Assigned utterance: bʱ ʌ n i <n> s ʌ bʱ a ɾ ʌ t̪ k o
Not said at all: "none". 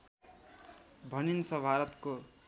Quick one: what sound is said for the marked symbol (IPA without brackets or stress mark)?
n